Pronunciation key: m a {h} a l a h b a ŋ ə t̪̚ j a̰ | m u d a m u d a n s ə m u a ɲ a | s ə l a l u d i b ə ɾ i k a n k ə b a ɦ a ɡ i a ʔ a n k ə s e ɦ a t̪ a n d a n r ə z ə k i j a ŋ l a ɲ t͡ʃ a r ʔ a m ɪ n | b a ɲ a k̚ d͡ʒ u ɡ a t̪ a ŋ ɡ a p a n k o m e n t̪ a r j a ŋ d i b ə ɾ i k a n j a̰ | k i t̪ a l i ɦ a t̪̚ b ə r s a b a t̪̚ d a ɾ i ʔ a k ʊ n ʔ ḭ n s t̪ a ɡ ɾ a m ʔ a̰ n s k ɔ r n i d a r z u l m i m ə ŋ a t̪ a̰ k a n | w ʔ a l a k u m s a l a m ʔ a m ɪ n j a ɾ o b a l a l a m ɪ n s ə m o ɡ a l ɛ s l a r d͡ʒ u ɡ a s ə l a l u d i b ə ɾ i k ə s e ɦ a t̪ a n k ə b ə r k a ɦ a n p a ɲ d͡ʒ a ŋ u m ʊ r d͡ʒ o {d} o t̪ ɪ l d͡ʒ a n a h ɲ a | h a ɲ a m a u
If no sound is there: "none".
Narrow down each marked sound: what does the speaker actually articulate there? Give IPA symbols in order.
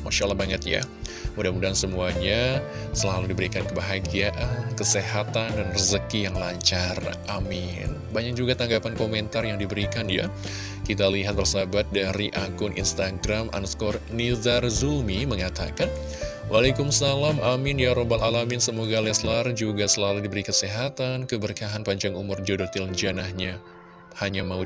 ʃ, d

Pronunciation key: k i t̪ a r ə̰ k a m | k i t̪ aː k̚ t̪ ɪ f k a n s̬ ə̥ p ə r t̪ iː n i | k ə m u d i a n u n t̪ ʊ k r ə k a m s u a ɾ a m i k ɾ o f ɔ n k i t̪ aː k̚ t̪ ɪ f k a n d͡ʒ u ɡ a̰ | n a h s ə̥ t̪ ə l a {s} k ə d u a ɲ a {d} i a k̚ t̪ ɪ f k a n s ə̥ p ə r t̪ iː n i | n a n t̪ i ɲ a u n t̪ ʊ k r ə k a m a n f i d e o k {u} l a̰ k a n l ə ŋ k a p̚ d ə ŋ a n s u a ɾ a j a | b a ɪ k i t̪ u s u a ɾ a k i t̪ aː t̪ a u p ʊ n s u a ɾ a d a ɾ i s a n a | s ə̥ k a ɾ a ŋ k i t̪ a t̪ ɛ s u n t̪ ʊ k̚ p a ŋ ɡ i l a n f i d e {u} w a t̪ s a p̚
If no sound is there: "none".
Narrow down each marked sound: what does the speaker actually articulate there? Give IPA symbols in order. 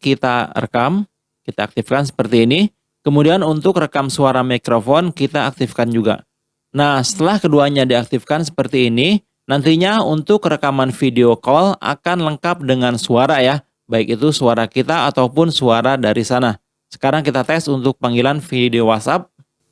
h, d, ɔ, o

